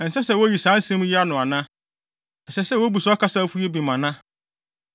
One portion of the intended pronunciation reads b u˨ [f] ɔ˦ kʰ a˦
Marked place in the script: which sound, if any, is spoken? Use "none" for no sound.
s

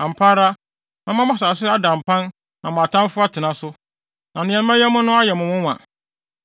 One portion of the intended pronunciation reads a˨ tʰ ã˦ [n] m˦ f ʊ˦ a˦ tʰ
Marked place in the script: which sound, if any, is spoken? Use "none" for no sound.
none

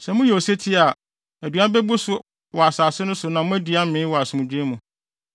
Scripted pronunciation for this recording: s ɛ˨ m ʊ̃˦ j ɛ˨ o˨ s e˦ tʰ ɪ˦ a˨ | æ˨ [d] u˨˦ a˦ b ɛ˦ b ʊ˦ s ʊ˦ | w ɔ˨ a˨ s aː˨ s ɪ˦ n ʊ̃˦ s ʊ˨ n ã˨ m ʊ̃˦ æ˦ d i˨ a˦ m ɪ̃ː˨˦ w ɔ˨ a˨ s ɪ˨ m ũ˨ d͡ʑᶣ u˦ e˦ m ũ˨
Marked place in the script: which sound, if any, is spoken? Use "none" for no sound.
d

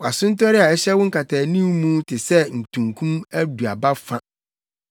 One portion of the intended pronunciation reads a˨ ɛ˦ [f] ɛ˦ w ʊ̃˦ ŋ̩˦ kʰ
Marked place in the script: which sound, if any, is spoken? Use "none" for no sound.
ɕ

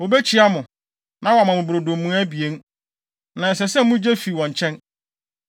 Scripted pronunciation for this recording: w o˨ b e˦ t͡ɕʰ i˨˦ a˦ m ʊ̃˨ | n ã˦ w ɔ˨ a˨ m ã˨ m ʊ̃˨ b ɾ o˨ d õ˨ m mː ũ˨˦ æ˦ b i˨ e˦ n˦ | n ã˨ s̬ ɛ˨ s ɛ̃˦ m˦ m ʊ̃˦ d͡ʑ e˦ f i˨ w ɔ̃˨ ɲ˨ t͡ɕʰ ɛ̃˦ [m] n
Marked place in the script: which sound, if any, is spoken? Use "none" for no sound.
none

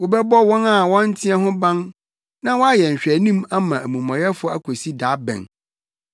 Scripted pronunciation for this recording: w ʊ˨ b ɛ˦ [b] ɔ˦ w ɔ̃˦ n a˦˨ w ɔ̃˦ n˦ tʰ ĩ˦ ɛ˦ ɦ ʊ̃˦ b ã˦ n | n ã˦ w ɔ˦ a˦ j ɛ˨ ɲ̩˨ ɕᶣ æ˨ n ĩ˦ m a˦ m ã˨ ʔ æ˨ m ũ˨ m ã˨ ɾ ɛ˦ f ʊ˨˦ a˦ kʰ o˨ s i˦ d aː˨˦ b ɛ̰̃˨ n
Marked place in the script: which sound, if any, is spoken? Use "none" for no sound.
b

